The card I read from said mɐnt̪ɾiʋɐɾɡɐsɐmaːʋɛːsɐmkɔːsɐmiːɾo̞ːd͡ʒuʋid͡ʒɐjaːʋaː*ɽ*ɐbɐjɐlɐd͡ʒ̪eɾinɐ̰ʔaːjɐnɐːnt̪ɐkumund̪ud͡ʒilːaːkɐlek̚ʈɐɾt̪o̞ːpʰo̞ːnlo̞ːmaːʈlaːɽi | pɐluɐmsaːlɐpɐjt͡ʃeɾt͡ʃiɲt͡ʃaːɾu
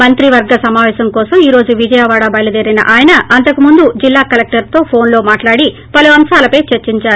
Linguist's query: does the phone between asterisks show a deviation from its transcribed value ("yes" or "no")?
no